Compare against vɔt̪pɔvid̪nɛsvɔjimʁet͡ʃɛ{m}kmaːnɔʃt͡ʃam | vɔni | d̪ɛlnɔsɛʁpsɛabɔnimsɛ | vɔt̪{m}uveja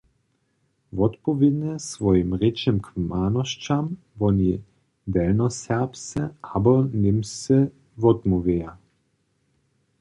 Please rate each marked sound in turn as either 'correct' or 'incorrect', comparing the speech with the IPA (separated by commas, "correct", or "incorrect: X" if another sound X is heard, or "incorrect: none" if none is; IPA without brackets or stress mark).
correct, correct